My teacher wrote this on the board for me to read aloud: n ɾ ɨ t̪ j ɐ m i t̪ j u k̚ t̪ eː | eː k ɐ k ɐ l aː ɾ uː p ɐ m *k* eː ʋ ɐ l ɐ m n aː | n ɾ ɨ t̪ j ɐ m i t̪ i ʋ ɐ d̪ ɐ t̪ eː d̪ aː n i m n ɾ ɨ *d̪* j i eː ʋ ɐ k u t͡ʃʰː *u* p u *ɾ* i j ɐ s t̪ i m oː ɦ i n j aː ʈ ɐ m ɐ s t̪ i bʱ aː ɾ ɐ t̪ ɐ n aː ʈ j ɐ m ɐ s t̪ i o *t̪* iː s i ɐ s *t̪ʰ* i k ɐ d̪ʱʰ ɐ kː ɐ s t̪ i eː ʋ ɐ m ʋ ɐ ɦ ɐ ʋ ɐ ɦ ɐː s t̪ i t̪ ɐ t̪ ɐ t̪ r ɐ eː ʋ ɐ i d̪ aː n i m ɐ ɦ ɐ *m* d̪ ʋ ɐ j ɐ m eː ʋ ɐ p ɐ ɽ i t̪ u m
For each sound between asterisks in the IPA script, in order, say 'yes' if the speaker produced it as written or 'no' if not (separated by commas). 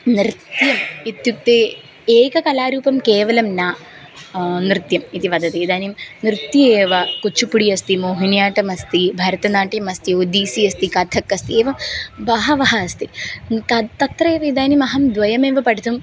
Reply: yes, no, yes, no, no, no, yes